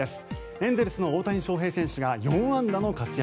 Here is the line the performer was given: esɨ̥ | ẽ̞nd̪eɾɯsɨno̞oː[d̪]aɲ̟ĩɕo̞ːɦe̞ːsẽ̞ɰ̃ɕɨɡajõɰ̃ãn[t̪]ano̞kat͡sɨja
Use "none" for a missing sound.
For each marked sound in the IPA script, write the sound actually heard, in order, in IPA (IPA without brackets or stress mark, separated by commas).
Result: t̪, d̪